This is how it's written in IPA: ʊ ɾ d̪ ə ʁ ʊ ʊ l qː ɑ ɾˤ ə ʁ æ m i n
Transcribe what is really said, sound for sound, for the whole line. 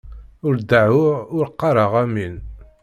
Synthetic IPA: ʊ ɾ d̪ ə ʕ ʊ ʊ ɾ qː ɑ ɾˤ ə ʁ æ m i n